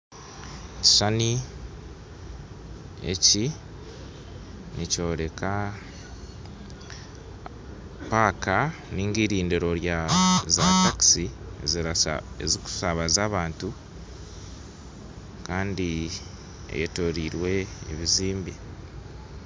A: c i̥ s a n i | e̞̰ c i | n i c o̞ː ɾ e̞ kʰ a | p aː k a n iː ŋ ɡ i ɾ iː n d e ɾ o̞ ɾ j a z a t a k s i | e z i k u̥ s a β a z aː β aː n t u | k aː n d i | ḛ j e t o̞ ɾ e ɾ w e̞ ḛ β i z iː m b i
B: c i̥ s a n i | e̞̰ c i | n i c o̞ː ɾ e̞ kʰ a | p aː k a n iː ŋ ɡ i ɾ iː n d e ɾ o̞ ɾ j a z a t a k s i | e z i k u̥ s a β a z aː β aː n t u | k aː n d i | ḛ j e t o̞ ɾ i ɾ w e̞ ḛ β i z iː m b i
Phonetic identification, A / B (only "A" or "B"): B